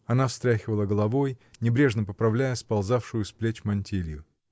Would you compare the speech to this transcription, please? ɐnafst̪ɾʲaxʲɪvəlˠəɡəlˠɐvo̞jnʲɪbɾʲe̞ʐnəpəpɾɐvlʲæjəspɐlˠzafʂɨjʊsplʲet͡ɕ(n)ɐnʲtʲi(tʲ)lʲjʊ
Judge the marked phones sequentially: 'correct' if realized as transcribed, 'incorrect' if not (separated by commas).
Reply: incorrect, incorrect